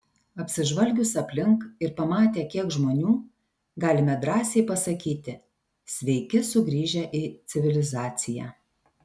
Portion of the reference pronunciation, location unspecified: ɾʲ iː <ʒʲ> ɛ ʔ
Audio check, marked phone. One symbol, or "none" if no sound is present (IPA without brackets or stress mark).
ʒʲ